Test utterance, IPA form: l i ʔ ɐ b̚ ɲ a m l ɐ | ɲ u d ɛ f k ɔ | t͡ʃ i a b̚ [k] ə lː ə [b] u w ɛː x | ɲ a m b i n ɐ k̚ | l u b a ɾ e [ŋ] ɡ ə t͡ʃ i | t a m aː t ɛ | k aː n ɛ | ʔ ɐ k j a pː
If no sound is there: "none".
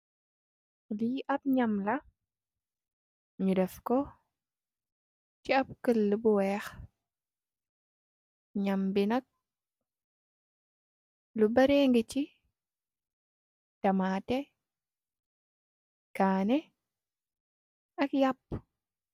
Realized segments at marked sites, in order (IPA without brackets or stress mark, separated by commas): k, b, ŋ